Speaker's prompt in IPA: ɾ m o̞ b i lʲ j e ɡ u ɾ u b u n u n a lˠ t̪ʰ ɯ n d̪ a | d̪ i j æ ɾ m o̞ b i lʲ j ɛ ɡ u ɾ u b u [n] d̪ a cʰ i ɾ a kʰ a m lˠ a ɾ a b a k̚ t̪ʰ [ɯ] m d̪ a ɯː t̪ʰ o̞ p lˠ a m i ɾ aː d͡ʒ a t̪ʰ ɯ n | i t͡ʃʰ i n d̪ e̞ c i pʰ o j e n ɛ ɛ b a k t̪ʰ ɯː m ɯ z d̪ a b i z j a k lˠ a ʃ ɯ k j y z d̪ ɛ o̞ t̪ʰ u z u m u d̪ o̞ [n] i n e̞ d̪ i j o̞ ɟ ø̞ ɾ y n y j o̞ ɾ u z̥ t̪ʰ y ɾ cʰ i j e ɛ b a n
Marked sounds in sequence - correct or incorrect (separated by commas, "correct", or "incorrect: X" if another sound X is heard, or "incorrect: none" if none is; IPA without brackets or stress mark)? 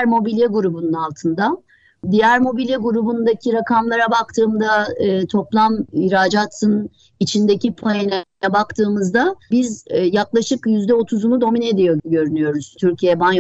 correct, incorrect: ɯː, incorrect: m